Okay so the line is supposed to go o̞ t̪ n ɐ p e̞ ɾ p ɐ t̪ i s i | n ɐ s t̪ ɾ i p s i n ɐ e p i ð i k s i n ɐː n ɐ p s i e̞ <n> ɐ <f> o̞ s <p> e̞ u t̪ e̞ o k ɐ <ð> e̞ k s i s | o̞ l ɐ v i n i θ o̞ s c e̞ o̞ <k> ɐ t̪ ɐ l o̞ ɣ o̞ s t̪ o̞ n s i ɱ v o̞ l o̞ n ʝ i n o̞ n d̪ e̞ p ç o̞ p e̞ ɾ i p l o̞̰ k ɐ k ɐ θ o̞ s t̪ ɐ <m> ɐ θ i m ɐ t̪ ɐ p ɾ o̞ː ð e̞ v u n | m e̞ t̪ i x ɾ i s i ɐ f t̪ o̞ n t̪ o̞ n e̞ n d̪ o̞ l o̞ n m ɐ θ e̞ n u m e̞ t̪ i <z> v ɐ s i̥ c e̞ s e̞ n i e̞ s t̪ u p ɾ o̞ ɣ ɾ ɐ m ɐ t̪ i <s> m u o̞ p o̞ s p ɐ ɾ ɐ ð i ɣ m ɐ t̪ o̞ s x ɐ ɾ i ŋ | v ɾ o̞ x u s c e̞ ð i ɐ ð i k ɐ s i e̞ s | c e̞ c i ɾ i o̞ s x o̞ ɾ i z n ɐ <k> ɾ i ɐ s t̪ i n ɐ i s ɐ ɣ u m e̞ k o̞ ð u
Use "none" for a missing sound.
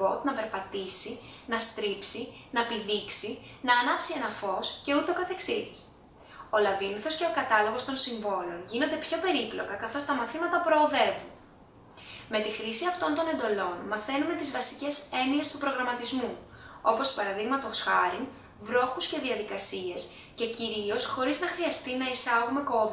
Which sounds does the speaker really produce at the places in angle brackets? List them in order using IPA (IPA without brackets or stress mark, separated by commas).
n, f, c, θ, k, m, z, z, x